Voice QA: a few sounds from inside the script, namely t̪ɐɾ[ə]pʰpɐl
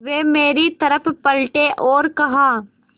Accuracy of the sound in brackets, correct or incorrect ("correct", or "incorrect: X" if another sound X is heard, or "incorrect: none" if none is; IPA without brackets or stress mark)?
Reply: correct